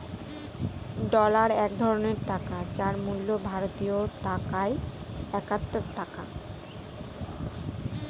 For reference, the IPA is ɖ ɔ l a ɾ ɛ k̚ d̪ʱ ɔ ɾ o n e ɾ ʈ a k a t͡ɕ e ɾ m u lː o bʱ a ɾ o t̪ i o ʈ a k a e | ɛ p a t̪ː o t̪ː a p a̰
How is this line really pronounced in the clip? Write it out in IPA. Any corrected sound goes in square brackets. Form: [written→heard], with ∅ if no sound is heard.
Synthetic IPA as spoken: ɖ ɔ l a ɾ ɛ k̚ d̪ʱ ɔ ɾ o n e ɾ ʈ a k a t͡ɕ [e→a] ɾ m u lː o bʱ a ɾ o t̪ i o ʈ a k a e | ɛ [p→k] a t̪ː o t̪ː a [p→k] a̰